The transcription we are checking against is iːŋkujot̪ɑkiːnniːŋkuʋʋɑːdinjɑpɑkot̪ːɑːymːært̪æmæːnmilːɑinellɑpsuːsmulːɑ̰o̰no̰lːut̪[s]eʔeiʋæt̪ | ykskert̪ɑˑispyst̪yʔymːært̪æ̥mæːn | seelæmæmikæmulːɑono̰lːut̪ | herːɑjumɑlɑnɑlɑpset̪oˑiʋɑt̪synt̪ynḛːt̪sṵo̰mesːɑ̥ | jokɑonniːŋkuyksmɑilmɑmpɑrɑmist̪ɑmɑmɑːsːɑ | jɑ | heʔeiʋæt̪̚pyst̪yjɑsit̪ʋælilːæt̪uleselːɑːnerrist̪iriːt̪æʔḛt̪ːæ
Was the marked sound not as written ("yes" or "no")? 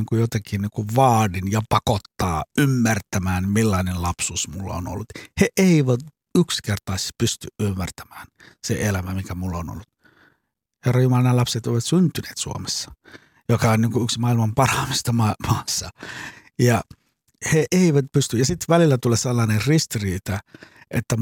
yes